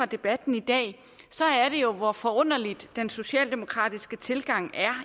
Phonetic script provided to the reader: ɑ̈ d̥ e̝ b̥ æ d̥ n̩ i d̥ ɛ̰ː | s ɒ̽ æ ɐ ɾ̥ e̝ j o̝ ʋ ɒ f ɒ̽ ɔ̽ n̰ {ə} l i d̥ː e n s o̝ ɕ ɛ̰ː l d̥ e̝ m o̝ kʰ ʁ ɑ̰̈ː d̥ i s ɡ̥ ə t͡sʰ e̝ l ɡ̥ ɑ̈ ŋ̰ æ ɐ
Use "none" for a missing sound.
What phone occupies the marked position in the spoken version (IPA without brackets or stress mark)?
ɐ